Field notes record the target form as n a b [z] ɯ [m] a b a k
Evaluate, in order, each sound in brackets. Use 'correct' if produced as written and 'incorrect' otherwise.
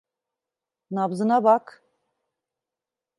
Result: correct, incorrect

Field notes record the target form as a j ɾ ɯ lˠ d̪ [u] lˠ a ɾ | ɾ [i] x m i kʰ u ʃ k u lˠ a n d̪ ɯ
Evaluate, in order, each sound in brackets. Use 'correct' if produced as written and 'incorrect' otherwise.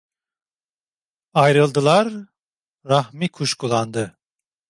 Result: incorrect, incorrect

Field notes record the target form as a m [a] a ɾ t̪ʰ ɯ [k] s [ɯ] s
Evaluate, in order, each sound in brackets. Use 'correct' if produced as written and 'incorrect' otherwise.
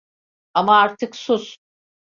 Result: correct, correct, incorrect

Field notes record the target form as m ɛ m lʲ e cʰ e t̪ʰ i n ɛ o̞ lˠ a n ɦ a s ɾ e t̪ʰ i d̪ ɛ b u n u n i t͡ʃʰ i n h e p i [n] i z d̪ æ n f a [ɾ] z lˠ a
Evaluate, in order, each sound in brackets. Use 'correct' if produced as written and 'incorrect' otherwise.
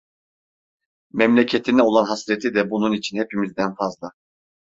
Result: incorrect, incorrect

